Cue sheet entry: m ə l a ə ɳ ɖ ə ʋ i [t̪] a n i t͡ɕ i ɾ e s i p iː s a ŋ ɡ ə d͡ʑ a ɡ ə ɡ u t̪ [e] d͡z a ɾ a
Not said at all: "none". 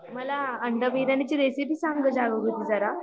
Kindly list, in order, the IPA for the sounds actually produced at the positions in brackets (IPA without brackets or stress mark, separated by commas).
d̪, i